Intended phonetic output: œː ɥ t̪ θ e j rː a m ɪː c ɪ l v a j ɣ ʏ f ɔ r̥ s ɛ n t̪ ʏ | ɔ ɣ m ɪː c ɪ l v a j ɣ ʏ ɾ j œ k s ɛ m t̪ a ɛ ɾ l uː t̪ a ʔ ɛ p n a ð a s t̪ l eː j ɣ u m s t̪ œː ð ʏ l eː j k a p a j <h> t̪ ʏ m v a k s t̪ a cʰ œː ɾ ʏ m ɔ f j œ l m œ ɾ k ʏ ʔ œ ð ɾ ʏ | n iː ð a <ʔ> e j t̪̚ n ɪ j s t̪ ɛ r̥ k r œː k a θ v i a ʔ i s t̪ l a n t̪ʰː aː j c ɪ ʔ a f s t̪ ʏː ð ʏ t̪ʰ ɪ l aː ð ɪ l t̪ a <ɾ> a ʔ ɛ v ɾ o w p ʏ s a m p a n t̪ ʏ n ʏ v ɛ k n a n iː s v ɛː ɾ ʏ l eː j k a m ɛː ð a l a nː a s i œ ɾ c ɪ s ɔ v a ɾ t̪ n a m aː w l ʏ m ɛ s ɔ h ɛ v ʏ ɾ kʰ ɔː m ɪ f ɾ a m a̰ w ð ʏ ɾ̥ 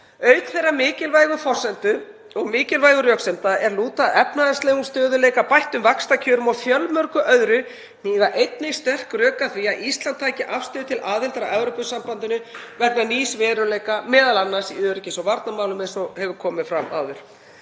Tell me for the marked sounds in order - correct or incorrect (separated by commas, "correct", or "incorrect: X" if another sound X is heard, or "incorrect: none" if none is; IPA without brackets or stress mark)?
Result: correct, correct, correct